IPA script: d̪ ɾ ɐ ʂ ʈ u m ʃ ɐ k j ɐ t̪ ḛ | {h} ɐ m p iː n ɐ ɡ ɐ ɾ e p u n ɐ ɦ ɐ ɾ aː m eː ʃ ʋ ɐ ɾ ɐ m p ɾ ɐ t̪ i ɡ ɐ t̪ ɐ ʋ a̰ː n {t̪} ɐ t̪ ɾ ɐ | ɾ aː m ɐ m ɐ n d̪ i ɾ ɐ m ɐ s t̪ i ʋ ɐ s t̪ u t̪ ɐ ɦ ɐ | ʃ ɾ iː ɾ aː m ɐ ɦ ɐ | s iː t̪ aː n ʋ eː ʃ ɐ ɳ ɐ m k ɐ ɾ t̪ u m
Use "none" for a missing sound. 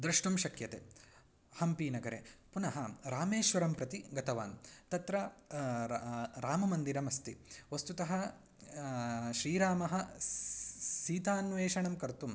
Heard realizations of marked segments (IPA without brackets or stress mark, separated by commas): h, t̪